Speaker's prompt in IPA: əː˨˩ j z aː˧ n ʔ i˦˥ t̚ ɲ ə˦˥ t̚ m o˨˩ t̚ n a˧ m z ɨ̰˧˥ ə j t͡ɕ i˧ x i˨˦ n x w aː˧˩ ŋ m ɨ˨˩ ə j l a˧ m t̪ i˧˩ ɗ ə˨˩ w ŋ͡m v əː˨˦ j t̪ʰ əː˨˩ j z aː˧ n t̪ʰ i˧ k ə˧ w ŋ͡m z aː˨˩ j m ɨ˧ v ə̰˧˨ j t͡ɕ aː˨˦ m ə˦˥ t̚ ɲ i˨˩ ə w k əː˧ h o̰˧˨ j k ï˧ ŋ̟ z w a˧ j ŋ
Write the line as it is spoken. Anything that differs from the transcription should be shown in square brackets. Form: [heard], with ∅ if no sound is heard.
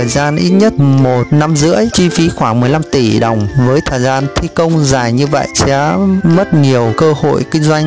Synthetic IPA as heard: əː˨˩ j z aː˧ n ʔ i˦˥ t̚ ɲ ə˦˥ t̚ m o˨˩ t̚ n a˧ m z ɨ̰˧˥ ə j t͡ɕ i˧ [f] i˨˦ [∅] x w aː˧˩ ŋ m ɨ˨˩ ə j l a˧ m t̪ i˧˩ ɗ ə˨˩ w ŋ͡m v əː˨˦ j t̪ʰ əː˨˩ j z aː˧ n t̪ʰ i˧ k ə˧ w ŋ͡m z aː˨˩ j [ɲ] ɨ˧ v ə̰˧˨ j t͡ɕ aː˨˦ m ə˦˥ t̚ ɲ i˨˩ ə w k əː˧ h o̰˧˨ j k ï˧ ŋ̟ z w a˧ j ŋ